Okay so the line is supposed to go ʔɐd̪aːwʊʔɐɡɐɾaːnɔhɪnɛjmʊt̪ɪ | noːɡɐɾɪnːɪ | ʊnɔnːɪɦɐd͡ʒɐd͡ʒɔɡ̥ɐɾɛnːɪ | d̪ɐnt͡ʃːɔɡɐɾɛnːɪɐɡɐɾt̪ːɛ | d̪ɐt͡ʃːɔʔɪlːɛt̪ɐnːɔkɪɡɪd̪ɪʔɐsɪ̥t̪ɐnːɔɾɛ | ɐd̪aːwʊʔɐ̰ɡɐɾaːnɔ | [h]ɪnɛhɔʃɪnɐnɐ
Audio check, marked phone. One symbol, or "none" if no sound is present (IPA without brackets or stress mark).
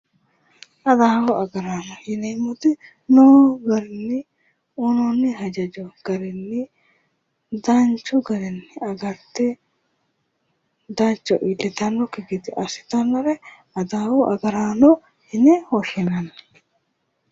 h